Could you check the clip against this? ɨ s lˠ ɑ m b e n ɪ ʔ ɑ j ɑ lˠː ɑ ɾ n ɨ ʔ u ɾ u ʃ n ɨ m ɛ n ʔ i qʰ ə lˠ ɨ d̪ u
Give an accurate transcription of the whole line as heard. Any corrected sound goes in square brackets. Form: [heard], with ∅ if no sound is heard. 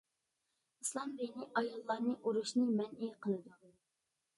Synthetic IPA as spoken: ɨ s lˠ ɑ m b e n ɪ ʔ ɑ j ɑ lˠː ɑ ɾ n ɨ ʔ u ɾ u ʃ n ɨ m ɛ n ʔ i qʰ ə lˠ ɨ d̪ u